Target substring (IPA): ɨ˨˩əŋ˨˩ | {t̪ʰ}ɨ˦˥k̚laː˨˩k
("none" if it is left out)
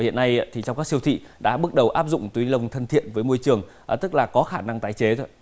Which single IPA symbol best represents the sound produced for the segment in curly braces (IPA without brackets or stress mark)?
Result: t̪